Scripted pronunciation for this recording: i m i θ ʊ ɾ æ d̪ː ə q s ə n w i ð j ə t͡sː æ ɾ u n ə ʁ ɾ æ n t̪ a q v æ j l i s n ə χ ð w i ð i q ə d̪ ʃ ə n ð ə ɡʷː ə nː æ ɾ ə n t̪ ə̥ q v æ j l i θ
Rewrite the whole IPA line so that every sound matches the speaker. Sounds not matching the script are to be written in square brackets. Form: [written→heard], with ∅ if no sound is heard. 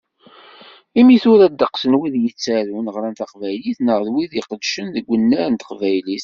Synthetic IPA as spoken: i m i θ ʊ ɾ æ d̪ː ə q s ə n w i ð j ə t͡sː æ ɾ u n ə ʁ ɾ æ n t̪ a q v æ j l i [s→θ] n ə [χ→ʁ] ð w i ð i q ə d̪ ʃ ə n ð ə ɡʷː ə nː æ ɾ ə n t̪ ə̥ q v æ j l i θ